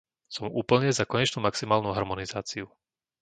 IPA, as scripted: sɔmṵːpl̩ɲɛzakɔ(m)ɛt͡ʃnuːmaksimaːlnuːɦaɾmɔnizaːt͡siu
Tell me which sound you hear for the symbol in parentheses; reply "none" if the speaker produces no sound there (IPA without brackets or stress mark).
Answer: ɲ